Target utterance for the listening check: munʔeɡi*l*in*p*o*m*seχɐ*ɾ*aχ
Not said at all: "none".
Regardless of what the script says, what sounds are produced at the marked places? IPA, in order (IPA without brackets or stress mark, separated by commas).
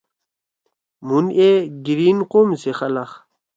ɾ, q, m, l